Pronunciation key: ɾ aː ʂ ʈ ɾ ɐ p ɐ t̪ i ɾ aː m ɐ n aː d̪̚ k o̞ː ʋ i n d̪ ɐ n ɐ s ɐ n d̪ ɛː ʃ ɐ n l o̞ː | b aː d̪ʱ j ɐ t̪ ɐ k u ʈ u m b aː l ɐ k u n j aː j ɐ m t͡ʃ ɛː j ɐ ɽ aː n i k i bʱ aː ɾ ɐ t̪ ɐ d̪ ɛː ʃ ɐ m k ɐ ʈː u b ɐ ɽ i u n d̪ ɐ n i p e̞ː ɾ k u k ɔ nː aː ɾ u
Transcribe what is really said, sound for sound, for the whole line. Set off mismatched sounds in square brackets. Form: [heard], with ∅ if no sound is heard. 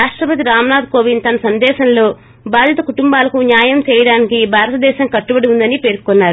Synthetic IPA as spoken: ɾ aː ʂ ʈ ɾ ɐ p ɐ t̪ i ɾ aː m ɐ n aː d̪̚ k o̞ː ʋ i n [t̪] ɐ n ɐ s ɐ n d̪ ɛː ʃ ɐ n l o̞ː | b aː d̪ʱ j ɐ t̪ ɐ k u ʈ u m b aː l ɐ k u n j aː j ɐ m t͡ʃ ɛː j ɐ ɽ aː n i k i bʱ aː ɾ ɐ t̪ ɐ d̪ ɛː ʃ ɐ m k ɐ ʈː u b ɐ ɽ i u n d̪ ɐ n i p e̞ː ɾ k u k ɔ nː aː ɾ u